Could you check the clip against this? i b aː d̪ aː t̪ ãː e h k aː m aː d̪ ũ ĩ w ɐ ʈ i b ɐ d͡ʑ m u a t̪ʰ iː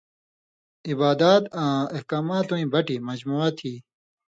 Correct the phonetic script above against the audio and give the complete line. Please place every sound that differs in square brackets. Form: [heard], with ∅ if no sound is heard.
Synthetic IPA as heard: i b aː d̪ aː t̪ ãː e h k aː m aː [t̪] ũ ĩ [b] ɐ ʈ i [m] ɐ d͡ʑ m u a t̪ʰ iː